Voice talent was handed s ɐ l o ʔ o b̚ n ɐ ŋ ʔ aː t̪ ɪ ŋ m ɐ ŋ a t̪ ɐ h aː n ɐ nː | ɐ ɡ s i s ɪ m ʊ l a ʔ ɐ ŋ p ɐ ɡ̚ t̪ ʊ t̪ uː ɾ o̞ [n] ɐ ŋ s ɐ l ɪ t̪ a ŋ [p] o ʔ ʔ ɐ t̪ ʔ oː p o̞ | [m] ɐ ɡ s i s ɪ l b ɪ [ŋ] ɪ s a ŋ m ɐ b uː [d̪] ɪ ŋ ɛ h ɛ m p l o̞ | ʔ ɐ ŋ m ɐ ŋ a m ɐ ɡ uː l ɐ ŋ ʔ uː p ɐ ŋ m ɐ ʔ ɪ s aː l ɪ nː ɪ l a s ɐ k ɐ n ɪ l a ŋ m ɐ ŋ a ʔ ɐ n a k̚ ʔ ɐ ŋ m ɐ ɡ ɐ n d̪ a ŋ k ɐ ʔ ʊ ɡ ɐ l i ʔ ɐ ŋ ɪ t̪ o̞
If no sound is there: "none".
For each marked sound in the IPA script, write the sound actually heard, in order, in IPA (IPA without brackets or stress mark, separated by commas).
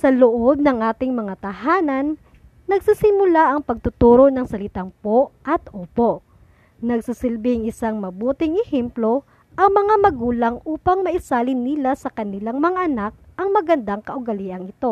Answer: n, p, n, ŋ, t̪